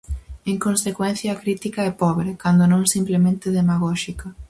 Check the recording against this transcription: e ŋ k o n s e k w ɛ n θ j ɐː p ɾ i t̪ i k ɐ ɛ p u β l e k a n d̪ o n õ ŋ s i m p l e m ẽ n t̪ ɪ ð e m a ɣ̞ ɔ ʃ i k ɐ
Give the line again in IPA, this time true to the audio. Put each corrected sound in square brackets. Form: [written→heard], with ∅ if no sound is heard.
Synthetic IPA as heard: e ŋ k o n s e k w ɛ n θ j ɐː [p→k] ɾ i t̪ i k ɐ ɛ p [u→ɔ] β [l→ɾ] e k a n d̪ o n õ ŋ s i m p l e m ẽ n t̪ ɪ ð e m a ɣ̞ ɔ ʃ i k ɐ